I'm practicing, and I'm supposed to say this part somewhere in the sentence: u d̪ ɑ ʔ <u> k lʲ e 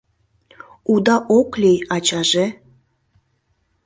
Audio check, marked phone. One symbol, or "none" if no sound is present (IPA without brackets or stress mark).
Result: o